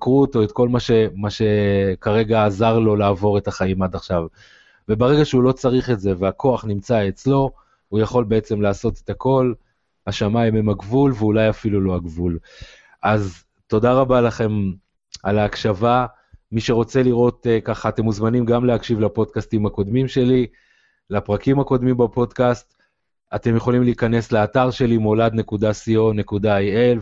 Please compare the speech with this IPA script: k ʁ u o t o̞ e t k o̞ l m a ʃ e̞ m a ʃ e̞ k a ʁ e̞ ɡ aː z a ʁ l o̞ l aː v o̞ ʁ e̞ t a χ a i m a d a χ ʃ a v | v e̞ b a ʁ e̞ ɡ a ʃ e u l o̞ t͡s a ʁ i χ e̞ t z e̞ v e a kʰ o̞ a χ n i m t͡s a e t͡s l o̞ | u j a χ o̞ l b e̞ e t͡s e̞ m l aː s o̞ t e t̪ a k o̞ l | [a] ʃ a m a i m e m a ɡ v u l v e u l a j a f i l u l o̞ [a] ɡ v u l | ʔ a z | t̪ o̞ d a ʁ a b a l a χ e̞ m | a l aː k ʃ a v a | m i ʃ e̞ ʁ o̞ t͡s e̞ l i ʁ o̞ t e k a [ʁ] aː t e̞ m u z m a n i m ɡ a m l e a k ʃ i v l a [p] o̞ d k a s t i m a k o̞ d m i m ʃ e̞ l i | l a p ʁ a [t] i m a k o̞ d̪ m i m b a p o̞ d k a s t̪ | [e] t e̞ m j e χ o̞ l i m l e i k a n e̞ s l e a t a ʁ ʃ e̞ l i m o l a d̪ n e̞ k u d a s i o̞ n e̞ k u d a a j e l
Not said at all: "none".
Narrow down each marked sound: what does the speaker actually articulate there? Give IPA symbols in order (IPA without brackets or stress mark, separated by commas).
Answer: a, a, χ, p, k, a